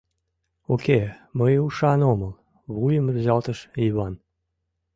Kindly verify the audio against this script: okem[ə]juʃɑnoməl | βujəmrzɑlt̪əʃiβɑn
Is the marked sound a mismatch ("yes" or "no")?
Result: no